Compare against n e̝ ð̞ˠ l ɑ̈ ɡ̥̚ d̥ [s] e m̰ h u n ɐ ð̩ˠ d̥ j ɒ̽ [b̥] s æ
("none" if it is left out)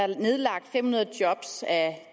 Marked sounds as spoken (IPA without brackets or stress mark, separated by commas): f, b̥